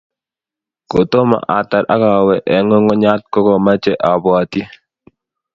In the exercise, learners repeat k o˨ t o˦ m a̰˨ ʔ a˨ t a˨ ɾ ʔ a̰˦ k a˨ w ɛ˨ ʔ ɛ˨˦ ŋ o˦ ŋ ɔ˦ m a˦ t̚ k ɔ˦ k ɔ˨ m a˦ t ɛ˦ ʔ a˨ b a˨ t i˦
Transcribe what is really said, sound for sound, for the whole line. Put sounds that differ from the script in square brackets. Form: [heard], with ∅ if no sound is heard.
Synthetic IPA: k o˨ t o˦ m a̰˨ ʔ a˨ t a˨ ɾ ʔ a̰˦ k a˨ w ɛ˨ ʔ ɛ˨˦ ŋ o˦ ŋ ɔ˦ [ɲ] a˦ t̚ k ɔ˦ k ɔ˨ m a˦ [t͡ʃ] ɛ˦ ʔ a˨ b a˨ t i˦